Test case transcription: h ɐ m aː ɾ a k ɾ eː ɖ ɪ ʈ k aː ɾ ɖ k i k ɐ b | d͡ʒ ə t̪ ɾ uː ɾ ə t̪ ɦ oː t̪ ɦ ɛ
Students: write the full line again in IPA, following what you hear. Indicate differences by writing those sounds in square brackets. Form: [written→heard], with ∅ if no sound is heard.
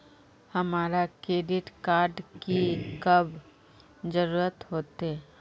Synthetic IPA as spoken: h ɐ m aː ɾ a k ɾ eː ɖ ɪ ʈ k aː ɾ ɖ k i k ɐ b | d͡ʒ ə [t̪→∅] ɾ uː ɾ ə t̪ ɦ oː t̪ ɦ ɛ